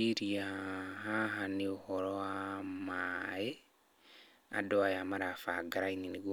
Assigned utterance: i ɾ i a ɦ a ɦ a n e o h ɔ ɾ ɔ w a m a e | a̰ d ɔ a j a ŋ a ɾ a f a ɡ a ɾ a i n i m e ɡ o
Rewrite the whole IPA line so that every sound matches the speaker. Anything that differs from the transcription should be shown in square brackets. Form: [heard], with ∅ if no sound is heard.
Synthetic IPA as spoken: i ɾ i a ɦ a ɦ a n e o h ɔ ɾ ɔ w a m a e | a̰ d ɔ a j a [m] a ɾ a f a ɡ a ɾ a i n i [n] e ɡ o